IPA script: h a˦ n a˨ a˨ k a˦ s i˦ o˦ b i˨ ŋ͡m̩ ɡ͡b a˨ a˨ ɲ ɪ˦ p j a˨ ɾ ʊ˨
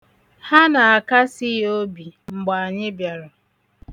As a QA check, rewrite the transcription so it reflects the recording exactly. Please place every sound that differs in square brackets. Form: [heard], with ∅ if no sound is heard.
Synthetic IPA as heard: h a˦ n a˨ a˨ k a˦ s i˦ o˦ b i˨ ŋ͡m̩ ɡ͡b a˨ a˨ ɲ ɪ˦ [b] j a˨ ɾ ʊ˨